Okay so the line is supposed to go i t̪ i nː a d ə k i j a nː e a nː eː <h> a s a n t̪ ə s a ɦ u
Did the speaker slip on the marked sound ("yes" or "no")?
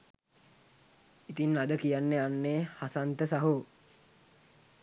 no